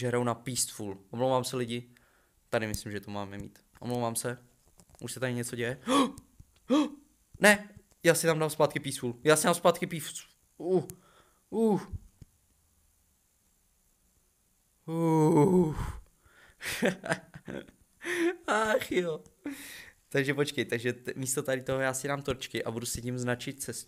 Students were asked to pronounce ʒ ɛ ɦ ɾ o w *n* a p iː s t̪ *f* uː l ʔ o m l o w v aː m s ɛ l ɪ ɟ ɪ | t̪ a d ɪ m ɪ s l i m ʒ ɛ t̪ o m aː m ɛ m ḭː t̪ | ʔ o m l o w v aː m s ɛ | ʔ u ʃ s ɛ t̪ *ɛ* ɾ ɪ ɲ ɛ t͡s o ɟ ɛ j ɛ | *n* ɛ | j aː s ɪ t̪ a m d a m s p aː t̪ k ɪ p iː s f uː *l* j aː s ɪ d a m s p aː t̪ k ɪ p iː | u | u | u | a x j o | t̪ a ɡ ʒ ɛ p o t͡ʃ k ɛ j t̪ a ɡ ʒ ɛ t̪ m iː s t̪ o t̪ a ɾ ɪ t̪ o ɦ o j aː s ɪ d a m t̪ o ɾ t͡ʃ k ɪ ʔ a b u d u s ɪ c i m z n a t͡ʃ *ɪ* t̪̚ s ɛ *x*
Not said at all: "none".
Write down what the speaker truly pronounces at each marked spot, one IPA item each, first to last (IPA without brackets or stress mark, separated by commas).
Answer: n, f, a, n, l, ɪ, s